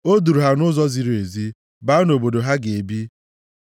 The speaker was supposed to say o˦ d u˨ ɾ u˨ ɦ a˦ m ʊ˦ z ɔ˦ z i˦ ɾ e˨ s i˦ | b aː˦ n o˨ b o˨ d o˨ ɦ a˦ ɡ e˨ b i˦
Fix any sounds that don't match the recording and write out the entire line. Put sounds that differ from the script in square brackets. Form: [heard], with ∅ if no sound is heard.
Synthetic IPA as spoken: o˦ d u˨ ɾ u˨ ɦ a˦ [n] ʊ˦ z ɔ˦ z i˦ ɾ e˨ [z] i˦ | b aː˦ n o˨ b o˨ d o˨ ɦ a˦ ɡ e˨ b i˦

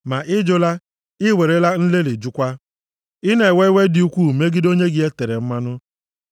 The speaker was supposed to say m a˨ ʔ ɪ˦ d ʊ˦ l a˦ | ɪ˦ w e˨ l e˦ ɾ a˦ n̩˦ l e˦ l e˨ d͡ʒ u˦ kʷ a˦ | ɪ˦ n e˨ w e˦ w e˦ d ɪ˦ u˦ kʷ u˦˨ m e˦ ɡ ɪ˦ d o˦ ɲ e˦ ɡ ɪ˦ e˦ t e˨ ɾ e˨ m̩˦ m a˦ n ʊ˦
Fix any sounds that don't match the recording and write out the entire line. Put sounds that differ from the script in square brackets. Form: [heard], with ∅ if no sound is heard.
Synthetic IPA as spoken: m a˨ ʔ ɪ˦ [d͡ʒ] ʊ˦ l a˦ | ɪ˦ w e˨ [ɾ] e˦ [l] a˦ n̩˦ l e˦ l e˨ d͡ʒ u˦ kʷ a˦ | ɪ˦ n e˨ w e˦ w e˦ d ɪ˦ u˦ kʷ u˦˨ m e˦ ɡ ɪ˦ d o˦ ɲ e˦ ɡ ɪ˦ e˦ t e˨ ɾ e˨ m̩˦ m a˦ n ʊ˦

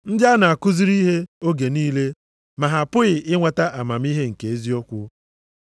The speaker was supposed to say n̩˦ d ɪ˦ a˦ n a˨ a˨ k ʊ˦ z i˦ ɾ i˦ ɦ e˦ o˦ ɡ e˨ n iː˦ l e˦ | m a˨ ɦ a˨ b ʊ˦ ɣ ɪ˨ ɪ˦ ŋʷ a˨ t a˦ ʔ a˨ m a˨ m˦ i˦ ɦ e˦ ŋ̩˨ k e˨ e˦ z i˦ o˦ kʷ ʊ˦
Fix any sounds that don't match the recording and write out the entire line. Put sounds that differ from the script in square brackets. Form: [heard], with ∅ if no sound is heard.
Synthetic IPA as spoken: n̩˦ d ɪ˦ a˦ n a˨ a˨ k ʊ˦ z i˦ ɾ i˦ ɦ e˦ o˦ ɡ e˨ n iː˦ l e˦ | m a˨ ɦ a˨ [p] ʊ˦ ɣ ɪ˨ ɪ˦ ŋʷ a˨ t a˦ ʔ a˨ m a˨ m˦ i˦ ɦ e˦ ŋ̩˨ k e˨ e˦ z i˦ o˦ kʷ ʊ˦

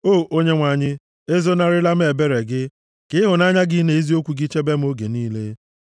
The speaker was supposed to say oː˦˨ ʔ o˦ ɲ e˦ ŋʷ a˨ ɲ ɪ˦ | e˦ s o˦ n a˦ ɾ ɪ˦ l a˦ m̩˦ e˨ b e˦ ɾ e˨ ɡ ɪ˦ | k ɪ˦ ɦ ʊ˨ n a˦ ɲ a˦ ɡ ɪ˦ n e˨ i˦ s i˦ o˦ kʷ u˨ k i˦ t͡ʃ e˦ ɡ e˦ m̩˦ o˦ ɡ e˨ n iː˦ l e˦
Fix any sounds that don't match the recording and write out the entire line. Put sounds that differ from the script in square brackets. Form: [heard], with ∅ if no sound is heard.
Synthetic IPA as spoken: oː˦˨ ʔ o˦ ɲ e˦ ŋʷ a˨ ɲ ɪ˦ | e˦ [z] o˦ n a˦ ɾ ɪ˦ l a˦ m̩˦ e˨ b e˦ ɾ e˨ ɡ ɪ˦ | k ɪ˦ ɦ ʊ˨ n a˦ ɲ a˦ ɡ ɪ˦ n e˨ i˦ [z] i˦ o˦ kʷ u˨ [ɡ] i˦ t͡ʃ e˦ [b] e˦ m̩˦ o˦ ɡ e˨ n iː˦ l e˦

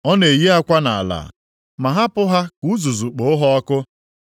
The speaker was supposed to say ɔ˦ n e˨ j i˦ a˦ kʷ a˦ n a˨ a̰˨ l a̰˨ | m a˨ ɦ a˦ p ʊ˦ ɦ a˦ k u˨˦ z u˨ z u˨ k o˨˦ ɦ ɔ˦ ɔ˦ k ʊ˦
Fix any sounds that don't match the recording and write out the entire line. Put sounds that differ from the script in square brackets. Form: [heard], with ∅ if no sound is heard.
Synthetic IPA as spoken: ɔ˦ n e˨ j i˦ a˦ kʷ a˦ n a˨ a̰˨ l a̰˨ | m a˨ ɦ a˦ p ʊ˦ ɦ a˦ k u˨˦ z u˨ z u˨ [k͡p] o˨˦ ɦ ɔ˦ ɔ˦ k ʊ˦

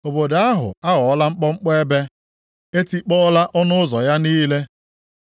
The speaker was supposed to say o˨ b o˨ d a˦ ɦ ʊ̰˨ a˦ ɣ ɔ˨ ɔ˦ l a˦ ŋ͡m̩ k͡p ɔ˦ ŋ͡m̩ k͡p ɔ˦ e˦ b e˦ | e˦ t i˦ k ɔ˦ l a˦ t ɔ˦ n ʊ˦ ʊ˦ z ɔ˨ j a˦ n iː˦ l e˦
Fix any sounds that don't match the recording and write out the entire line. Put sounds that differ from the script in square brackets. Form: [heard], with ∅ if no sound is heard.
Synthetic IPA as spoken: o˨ b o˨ d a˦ ɦ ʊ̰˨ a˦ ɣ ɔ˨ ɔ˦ l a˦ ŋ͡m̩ k͡p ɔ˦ ŋ͡m̩ k͡p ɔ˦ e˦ b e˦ | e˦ t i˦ [k͡p] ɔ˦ l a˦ [ʔ] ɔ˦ n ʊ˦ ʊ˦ z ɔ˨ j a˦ n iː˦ l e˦

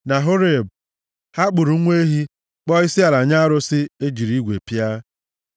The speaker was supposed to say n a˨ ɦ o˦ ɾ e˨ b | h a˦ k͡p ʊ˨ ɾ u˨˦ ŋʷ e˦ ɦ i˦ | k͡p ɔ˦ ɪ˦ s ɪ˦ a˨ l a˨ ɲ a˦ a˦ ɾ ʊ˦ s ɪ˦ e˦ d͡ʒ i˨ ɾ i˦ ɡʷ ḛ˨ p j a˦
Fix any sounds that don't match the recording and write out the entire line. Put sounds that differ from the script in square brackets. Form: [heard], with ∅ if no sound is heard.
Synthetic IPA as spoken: n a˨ ɦ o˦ ɾ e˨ b | h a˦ k͡p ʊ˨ ɾ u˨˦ ŋʷ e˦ ɦ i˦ | k͡p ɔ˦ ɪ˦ s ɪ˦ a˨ l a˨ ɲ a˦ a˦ ɾ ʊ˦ s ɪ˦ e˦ d͡ʒ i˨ ɾ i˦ ɡʷ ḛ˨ p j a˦

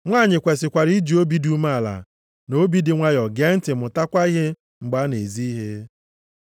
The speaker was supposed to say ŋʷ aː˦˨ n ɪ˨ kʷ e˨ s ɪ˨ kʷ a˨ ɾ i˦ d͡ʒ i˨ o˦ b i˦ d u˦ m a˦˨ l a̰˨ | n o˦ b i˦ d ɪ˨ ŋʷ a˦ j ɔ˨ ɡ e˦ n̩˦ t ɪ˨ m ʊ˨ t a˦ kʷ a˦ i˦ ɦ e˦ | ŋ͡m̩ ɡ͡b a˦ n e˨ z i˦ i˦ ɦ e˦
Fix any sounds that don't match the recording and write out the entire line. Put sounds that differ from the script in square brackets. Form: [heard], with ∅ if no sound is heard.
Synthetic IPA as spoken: ŋʷ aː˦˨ [ɲ] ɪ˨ kʷ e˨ s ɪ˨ kʷ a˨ ɾ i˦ d͡ʒ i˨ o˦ b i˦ d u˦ m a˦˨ l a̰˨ | n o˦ b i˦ d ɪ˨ ŋʷ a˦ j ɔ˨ ɡ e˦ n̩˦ t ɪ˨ m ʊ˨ t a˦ kʷ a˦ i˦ ɦ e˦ | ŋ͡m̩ ɡ͡b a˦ n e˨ z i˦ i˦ ɦ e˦

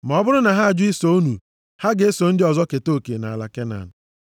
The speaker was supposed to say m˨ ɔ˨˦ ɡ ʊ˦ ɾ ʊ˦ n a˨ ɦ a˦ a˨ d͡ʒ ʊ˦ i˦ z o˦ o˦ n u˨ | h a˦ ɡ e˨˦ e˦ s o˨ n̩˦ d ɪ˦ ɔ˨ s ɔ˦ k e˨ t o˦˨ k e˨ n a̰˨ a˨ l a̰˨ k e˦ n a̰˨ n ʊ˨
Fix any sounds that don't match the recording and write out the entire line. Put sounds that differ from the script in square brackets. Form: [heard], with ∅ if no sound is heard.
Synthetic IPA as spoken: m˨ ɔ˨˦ [b] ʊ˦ ɾ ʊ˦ n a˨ ɦ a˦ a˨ d͡ʒ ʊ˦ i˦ [s] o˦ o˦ n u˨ | h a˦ ɡ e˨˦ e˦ s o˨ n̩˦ d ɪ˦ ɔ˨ [z] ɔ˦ k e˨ t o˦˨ k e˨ n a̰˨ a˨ l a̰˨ k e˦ n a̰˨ n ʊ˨

